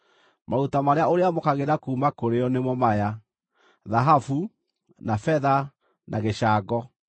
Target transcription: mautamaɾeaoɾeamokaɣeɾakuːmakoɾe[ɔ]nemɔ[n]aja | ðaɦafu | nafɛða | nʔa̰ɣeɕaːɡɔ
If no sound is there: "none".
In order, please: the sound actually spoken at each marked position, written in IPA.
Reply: ɔ, m

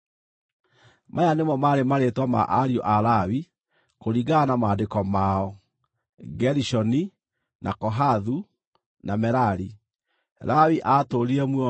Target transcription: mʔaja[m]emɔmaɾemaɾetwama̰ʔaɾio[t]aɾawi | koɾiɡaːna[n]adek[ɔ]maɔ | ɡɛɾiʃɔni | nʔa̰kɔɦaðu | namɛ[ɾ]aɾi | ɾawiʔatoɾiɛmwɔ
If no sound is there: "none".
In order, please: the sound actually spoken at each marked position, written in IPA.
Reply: n, ʔ, m, ɔ, ɾ

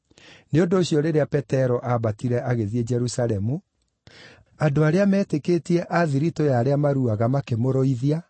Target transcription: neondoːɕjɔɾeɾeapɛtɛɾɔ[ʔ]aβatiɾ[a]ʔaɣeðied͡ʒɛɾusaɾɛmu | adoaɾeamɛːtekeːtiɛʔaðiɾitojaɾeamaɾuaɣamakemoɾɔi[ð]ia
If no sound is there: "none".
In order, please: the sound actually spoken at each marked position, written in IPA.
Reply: ʔ, ɛ, ð

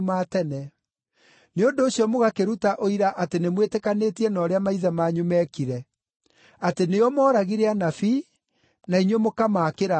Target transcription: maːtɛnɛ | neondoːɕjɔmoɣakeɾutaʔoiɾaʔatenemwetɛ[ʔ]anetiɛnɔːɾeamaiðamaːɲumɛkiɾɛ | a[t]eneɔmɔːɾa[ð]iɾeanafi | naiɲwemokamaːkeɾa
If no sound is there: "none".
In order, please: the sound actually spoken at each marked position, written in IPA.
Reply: k, t, ɣ

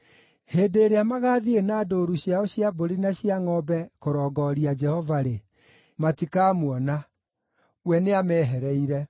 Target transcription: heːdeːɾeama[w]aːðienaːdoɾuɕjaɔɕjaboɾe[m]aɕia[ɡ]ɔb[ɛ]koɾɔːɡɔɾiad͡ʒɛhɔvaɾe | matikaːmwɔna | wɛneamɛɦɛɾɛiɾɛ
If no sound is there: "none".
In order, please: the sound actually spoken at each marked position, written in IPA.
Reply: ɣ, n, ŋ, ɛ

